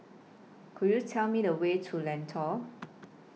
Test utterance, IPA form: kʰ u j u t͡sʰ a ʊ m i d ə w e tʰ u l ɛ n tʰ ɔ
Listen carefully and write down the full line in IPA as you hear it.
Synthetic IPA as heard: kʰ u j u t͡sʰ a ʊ m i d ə w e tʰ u l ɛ n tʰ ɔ